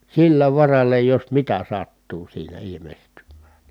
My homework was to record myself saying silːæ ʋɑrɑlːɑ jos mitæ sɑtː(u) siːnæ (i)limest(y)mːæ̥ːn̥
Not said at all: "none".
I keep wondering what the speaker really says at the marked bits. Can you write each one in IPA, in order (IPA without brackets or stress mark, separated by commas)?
uː, i, y